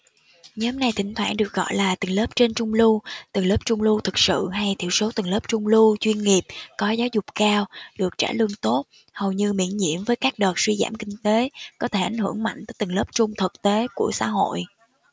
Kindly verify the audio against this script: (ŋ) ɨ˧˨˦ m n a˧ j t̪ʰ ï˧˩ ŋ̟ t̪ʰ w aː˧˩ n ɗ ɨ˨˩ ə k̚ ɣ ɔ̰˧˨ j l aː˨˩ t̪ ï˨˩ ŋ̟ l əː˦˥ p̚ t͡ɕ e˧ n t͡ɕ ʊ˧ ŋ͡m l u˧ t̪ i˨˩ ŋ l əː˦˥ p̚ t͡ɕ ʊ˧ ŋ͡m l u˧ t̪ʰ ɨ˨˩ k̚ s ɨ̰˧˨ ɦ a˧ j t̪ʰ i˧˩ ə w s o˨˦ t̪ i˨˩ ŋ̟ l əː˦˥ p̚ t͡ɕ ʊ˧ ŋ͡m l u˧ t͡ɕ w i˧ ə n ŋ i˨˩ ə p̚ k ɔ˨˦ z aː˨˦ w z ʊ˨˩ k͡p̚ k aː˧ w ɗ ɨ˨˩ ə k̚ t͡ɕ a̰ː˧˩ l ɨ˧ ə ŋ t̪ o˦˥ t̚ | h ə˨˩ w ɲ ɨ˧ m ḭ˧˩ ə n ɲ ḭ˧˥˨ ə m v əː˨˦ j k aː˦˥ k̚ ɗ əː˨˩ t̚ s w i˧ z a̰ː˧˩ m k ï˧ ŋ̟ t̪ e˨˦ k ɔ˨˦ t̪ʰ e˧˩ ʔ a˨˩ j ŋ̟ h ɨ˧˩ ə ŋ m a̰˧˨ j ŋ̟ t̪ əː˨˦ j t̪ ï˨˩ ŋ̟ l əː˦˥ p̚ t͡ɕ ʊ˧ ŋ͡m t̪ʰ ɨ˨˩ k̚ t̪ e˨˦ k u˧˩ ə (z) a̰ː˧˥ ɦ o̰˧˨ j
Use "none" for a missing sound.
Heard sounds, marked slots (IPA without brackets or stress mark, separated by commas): ɲ, s